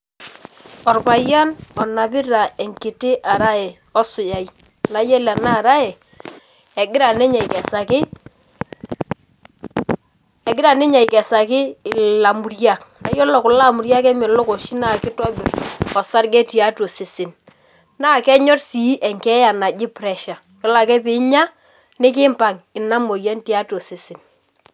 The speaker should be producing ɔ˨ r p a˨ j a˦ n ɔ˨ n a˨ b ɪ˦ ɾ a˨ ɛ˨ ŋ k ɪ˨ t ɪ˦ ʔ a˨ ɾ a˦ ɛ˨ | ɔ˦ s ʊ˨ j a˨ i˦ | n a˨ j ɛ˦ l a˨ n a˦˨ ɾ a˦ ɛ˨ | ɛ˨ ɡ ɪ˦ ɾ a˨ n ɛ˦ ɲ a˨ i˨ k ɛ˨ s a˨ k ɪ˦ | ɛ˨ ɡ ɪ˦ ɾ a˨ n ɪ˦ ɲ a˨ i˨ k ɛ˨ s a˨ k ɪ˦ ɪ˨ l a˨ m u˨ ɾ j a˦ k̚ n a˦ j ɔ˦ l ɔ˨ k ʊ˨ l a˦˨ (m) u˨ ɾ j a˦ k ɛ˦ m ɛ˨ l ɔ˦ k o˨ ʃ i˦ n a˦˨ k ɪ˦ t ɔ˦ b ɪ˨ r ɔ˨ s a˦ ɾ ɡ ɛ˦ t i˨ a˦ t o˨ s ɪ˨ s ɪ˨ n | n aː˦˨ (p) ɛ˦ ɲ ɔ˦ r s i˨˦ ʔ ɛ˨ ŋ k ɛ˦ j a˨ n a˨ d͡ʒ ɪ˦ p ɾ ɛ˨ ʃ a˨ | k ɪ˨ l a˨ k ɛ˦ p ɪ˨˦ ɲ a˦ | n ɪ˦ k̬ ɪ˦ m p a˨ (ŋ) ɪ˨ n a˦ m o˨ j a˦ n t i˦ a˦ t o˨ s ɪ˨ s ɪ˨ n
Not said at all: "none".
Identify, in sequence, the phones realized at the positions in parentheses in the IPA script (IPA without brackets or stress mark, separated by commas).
m, k, ŋ